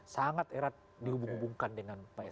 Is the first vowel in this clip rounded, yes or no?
no